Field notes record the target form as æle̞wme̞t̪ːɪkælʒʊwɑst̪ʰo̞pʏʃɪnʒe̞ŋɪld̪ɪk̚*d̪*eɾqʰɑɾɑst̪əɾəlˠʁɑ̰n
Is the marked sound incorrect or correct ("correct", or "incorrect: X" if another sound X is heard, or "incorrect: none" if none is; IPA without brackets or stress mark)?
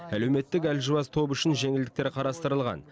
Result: incorrect: t̪